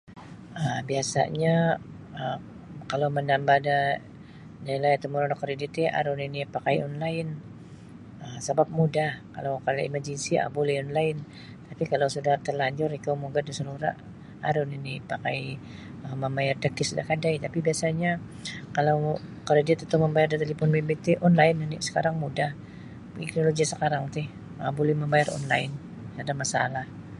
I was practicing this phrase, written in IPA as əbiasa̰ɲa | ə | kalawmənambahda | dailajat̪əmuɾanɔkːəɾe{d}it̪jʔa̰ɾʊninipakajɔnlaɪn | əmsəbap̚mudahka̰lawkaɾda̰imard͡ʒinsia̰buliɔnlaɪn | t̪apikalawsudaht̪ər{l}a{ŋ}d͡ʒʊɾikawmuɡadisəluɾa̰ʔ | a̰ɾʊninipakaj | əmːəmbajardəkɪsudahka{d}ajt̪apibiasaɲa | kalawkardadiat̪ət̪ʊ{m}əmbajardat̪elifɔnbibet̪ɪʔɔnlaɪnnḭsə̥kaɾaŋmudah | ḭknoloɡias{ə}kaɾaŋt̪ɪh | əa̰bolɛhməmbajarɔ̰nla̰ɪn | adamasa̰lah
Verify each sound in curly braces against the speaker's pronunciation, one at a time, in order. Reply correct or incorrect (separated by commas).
correct, correct, incorrect, correct, correct, correct